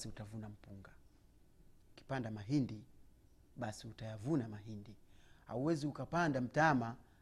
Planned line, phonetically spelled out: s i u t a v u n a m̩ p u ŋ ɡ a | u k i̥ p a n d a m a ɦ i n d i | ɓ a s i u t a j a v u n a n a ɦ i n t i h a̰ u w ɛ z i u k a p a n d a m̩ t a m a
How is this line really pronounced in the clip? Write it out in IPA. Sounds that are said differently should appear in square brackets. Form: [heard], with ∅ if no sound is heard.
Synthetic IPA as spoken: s i u t a v u n a m̩ p u ŋ ɡ a | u k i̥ p a n d a m a ɦ i n d i | ɓ a s i u t a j a v u n a [m] a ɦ i n [d] i h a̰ u w ɛ z i u k a p a n d a m̩ t a m a